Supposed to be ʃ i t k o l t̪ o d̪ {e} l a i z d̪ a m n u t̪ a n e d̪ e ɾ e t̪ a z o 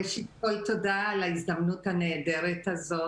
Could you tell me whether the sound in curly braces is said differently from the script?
yes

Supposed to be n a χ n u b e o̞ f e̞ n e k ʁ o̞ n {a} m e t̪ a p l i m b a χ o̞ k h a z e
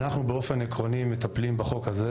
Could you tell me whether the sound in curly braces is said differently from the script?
yes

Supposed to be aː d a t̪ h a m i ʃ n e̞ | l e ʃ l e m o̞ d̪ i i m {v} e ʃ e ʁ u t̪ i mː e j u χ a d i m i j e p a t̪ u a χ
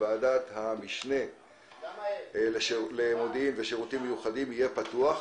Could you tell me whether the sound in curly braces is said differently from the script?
no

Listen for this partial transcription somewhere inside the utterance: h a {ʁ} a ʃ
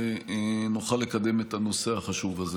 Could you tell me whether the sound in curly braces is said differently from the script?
yes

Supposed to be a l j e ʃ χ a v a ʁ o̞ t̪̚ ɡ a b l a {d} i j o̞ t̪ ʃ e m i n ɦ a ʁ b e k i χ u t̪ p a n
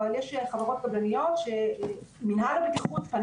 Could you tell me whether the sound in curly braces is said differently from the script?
yes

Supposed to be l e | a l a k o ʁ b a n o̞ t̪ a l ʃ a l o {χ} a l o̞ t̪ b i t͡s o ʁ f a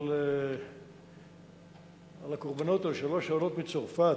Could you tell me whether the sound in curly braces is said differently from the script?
yes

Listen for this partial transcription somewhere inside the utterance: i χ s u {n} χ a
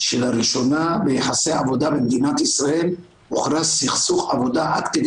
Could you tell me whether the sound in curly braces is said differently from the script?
yes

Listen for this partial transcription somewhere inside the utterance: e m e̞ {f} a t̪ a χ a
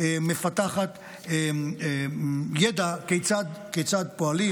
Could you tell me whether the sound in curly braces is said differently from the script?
no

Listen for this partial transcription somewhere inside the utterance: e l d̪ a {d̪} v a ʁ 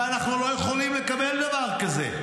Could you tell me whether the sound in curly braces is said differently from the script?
yes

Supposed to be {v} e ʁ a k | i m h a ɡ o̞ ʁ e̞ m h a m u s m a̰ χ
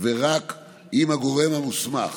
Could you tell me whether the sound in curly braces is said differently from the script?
no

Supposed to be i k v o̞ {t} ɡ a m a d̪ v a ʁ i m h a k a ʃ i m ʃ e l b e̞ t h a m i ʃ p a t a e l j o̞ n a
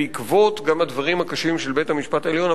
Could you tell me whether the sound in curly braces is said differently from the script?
no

